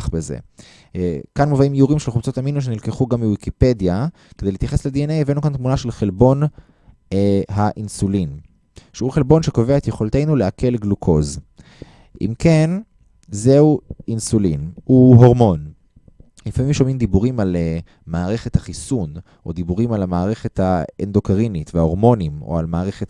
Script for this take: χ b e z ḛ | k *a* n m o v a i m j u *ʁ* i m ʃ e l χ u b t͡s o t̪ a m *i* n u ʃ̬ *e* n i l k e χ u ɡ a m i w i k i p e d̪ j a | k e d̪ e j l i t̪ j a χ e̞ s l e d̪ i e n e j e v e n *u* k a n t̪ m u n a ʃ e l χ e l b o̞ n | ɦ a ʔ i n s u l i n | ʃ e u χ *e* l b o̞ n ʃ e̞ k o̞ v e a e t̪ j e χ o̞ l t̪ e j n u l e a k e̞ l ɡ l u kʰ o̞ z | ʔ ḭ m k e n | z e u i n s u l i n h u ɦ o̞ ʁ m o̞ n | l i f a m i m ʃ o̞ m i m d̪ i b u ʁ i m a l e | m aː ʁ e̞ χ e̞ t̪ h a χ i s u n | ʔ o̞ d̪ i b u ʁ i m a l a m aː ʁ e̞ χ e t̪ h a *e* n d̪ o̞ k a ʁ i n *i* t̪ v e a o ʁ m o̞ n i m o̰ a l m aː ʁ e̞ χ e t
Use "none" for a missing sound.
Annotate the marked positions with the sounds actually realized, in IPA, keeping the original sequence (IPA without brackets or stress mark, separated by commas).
a, ʁ, i, e, u, e, e, i